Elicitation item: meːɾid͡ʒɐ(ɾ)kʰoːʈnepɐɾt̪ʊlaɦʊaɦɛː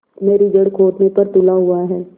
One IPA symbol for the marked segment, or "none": ɽ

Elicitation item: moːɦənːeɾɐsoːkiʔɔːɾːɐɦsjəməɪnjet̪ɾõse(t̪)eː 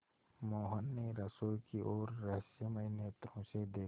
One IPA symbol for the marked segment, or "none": d̪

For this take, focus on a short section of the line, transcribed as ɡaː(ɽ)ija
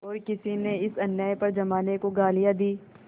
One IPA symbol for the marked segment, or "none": l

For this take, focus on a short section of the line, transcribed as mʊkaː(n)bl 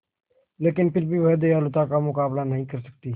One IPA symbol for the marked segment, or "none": none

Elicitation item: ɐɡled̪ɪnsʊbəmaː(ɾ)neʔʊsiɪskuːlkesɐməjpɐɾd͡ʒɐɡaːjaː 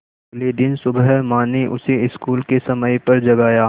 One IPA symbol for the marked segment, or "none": none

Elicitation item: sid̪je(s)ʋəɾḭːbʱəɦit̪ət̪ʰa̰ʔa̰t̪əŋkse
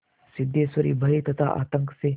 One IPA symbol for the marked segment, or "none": s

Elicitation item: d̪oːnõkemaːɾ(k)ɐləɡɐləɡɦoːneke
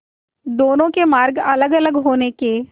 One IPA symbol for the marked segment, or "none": ɡ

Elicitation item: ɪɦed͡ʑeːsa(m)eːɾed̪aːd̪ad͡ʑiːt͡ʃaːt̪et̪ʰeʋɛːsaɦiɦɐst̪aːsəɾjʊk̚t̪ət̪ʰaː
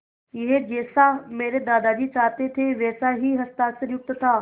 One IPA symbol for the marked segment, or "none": m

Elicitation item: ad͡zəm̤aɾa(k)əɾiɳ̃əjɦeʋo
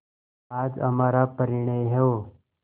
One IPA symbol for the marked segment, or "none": p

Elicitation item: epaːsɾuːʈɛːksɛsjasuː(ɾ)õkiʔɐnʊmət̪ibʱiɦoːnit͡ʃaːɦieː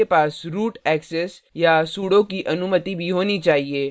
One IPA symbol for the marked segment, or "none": ɽ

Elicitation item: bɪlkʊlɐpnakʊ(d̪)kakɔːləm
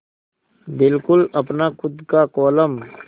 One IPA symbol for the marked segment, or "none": d̪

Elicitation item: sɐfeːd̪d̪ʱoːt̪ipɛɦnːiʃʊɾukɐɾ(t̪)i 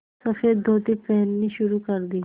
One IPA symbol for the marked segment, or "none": d̪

